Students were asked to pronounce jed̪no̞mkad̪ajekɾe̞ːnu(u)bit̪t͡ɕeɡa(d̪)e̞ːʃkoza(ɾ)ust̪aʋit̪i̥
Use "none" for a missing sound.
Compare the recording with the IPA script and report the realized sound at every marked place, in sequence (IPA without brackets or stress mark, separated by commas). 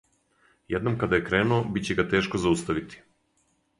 o, t̪, none